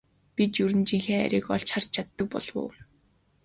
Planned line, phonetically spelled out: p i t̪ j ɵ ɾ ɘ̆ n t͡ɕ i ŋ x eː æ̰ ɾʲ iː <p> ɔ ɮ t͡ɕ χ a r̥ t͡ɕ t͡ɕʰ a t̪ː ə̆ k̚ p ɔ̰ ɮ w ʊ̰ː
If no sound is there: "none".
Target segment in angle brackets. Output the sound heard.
k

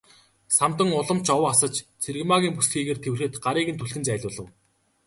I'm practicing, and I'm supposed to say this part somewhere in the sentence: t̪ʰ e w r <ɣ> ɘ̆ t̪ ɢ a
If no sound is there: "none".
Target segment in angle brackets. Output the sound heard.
x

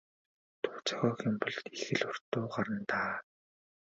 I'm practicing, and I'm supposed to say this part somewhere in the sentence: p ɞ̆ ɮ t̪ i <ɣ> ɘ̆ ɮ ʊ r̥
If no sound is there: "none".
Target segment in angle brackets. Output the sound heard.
x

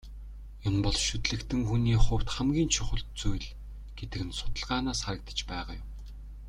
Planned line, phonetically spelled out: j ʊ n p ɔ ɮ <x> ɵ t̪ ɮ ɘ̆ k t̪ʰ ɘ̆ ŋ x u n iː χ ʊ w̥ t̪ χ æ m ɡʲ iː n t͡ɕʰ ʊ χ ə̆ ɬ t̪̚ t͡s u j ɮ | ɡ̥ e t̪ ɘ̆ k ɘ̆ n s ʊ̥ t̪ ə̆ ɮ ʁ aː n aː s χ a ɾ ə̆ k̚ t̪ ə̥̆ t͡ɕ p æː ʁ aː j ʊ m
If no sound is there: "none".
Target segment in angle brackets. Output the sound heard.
ʃ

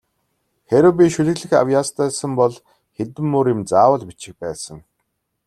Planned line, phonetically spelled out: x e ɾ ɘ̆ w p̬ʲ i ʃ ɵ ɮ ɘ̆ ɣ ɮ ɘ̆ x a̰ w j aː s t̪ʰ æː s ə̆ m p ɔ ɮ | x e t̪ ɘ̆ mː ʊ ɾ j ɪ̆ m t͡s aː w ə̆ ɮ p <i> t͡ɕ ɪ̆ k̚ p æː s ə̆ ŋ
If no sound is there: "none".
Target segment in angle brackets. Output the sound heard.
i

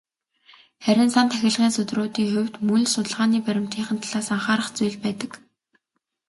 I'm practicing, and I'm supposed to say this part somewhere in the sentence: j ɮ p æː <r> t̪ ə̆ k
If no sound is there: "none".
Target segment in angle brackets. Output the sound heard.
none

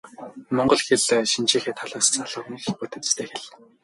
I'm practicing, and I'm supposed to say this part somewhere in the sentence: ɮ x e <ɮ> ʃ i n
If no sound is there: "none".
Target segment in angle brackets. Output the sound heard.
ɮ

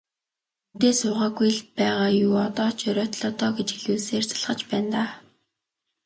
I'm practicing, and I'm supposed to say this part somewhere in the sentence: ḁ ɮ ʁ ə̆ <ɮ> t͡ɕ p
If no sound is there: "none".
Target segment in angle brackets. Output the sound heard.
none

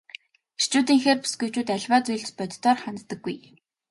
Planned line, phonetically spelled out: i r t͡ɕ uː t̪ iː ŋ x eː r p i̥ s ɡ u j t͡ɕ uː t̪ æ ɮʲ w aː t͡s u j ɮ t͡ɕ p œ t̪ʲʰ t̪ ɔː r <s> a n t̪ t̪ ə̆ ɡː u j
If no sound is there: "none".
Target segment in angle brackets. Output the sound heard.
χ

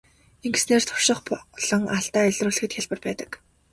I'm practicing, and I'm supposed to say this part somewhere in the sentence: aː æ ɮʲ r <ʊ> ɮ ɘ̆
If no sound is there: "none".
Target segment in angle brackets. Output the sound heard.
ʊː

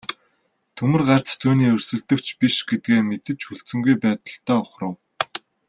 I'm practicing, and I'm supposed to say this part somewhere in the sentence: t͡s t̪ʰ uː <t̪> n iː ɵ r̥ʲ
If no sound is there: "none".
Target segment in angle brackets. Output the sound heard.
none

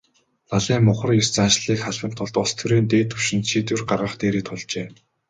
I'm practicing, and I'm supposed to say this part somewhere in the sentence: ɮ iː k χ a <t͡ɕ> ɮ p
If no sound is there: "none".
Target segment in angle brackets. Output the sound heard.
none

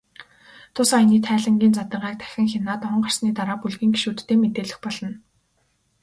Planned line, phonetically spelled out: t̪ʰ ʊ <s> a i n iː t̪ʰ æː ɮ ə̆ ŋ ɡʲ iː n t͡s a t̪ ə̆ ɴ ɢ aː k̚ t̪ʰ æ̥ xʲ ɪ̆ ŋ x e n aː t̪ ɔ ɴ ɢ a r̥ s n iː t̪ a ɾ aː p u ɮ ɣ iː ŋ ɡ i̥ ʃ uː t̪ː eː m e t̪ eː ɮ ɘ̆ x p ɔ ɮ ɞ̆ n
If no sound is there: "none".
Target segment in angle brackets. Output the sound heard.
s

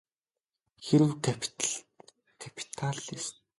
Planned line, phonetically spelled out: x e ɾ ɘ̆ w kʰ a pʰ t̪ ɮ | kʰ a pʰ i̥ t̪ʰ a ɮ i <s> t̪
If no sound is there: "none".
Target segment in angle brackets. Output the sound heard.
s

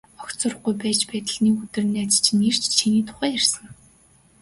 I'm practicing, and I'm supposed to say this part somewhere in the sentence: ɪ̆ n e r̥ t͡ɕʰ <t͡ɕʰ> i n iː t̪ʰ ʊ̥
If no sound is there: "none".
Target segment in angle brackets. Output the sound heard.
t͡ɕʰ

